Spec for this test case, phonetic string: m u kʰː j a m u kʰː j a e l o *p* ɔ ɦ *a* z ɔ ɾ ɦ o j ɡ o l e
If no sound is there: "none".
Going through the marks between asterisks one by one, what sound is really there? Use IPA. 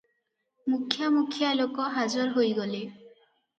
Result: k, a

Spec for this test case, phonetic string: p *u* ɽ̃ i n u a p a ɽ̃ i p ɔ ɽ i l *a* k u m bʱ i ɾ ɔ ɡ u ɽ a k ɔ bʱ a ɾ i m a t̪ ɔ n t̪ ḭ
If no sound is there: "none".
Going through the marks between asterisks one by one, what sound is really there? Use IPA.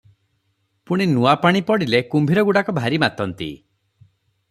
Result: u, e

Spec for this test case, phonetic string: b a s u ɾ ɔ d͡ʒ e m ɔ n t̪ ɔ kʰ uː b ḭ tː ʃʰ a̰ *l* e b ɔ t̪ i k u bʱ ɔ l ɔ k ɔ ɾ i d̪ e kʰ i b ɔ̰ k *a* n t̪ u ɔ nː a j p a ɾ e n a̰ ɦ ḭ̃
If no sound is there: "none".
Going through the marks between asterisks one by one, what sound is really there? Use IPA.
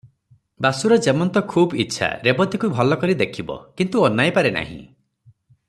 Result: ɾ, i

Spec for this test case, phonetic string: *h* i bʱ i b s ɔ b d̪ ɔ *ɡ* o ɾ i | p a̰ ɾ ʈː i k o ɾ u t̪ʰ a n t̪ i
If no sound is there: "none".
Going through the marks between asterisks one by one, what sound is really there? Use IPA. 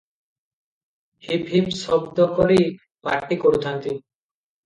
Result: h, k

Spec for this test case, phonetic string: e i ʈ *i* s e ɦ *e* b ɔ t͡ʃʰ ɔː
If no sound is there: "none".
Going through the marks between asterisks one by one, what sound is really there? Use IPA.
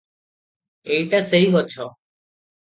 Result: a, i

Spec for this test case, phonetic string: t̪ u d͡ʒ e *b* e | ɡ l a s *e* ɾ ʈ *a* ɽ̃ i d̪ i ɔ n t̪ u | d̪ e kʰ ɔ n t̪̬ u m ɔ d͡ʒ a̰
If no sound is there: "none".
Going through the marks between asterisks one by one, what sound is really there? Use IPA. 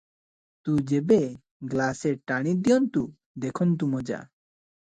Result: b, e, a

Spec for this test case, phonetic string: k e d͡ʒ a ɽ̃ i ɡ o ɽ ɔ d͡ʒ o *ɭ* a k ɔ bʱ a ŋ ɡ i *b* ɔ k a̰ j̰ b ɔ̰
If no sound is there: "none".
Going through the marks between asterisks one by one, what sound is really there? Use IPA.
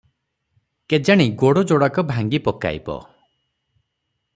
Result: ɽ, p

